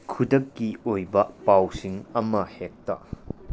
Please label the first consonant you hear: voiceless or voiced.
voiceless